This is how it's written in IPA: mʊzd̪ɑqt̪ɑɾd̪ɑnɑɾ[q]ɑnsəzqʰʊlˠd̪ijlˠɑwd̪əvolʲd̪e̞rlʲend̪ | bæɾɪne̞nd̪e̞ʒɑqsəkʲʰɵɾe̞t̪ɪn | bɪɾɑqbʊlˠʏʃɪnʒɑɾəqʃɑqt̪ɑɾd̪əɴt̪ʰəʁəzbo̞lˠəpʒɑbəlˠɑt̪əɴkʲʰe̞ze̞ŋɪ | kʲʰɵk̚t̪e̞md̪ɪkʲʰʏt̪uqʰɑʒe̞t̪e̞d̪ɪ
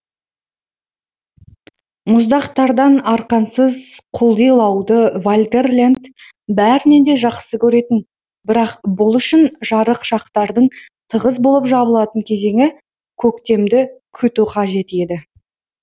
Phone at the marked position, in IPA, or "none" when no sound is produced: q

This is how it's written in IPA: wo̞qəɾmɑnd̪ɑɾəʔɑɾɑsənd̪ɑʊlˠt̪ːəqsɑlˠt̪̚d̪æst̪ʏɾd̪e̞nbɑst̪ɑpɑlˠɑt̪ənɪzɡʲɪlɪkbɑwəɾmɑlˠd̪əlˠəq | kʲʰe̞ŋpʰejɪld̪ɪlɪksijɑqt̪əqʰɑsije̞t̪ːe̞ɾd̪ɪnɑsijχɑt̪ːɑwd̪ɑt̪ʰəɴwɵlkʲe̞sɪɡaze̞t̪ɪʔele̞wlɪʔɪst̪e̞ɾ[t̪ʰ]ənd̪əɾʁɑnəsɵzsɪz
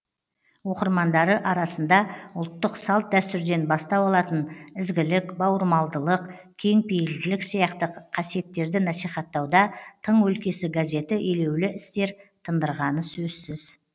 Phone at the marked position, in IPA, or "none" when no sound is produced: t̪ʰ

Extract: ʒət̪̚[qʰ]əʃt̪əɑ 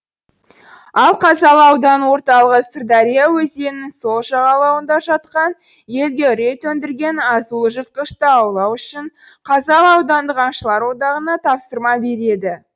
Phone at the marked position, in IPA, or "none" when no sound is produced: q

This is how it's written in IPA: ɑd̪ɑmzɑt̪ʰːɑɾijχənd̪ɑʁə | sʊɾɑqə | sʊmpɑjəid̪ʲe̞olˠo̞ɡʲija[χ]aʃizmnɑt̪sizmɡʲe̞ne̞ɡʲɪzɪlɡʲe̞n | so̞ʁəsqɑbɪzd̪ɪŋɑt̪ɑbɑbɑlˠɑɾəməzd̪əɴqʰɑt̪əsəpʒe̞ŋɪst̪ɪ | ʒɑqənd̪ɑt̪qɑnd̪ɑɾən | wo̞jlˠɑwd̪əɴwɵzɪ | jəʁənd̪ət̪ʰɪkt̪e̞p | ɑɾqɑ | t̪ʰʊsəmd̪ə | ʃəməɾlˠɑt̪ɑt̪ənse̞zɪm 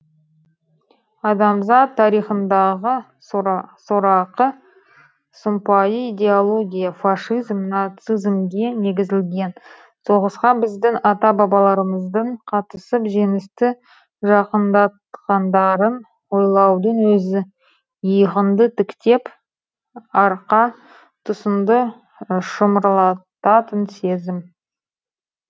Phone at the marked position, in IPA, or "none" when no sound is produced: f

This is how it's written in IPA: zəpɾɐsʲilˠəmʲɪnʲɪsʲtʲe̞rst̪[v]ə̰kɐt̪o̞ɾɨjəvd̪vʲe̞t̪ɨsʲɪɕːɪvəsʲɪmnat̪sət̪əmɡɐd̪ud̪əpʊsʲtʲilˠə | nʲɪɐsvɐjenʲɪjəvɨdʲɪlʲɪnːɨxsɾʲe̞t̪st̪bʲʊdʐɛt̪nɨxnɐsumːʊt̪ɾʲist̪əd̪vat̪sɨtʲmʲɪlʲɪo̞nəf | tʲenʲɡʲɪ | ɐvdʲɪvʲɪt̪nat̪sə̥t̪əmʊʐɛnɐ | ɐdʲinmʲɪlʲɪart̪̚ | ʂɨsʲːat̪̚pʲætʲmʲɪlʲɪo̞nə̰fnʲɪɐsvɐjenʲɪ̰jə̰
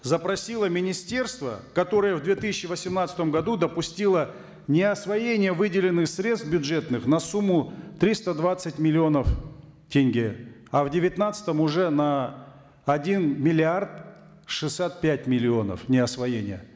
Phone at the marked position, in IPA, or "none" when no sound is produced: v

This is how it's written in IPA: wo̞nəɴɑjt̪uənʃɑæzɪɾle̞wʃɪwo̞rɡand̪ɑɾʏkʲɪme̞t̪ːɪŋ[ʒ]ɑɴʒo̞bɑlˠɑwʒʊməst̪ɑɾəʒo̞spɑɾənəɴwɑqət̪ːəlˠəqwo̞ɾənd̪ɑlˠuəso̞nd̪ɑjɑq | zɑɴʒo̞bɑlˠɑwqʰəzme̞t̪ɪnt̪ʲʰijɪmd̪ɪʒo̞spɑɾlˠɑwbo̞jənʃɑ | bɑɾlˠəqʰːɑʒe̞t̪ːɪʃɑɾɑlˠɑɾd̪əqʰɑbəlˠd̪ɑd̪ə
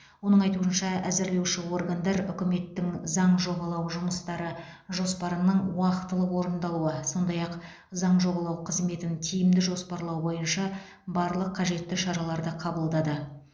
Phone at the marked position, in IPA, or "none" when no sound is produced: z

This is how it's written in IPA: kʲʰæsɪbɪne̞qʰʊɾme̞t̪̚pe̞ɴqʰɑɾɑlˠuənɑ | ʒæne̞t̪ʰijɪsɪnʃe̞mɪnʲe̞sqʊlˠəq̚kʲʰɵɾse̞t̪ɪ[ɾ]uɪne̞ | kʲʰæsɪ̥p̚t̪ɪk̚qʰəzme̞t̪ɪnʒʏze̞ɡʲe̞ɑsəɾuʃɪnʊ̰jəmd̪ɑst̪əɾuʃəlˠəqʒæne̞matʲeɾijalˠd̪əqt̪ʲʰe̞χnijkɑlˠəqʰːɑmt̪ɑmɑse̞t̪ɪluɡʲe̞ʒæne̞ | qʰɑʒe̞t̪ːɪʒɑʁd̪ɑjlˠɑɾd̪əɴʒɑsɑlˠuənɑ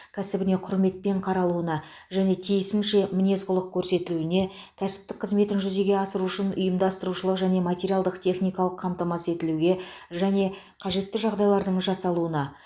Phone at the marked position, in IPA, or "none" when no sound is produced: l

